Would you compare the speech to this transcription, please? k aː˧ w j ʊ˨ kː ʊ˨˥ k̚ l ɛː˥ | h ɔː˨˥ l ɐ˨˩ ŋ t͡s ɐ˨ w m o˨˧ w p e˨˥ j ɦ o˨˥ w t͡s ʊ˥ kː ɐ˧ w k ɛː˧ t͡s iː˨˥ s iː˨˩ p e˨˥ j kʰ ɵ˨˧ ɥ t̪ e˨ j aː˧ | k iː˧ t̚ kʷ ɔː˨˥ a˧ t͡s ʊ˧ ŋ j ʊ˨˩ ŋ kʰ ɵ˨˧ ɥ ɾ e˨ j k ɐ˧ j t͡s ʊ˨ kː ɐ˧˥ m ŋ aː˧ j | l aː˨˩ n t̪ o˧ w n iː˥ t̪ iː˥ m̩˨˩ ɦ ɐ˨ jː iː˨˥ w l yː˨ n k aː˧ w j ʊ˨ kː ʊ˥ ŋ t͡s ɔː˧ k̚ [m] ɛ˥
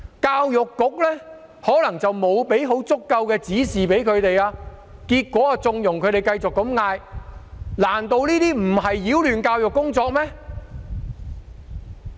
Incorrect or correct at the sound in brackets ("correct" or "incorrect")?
correct